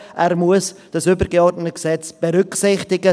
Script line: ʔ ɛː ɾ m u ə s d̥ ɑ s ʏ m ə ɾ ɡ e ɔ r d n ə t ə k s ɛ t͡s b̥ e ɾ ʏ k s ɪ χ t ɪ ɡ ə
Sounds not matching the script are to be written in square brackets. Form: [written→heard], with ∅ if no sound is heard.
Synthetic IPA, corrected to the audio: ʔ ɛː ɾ m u ə s d̥ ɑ s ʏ [m→b] ə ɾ ɡ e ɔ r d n ə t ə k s ɛ t͡s b̥ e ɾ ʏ k s ɪ χ t ɪ ɡ ə